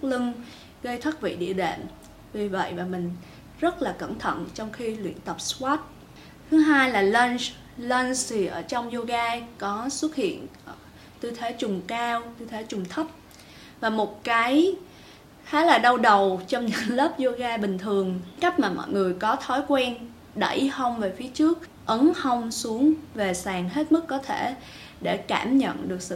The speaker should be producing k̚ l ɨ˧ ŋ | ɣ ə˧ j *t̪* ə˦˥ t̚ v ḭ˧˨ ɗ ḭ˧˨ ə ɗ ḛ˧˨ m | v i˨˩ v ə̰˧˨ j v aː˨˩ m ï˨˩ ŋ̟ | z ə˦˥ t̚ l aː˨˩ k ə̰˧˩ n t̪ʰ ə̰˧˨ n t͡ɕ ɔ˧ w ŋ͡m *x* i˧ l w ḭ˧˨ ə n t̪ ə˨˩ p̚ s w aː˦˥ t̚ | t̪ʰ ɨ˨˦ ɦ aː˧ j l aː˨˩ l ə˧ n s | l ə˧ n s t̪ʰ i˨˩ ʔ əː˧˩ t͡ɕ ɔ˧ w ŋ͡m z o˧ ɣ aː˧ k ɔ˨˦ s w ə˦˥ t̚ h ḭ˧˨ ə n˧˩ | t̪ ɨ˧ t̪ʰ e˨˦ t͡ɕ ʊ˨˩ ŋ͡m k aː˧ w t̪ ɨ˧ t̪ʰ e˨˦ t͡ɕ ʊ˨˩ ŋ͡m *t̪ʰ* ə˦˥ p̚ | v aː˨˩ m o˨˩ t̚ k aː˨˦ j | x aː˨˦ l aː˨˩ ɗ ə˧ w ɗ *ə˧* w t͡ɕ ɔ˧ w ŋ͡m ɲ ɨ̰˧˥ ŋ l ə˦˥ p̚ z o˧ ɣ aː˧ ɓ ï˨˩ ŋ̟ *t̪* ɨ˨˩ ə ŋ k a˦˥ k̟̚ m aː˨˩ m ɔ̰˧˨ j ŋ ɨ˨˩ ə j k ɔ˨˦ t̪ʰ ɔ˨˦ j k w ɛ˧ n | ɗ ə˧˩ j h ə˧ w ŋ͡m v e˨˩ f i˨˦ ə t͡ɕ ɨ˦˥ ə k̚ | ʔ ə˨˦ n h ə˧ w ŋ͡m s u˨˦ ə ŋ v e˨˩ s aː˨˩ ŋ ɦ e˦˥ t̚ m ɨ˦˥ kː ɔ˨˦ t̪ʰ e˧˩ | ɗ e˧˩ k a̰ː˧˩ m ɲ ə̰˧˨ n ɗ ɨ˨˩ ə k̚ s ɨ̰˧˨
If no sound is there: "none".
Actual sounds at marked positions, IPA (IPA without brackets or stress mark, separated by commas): t̪ʰ, x, t̪ʰ, ə˨˩, t̪ʰ